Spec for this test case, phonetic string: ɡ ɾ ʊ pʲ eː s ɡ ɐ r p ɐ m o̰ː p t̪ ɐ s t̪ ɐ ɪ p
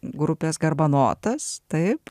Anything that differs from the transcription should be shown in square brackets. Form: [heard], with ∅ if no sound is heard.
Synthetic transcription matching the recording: ɡ ɾ ʊ pʲ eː s ɡ ɐ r [b] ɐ [n] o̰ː [∅] t̪ ɐ s t̪ ɐ ɪ p